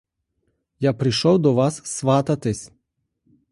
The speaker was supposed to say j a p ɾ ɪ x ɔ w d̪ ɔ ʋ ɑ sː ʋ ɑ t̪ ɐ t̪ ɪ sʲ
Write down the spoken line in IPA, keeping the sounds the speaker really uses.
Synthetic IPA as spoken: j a p ɾ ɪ ʃ ɔ w d̪ ɔ ʋ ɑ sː ʋ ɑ t̪ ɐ t̪ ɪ sʲ